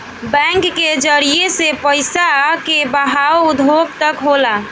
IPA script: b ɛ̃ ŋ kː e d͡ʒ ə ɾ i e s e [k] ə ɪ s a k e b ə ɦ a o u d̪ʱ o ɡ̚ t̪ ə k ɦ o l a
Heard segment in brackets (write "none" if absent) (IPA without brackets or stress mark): p